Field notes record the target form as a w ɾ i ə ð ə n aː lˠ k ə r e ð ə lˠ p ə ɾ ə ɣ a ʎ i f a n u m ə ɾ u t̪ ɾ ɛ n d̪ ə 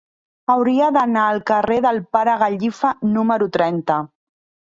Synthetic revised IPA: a w ɾ i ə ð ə n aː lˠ k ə r e ð ə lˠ p a ɾ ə ɣ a ʎ i f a n u m ə ɾ u t̪ ɾ ɛ n t̪ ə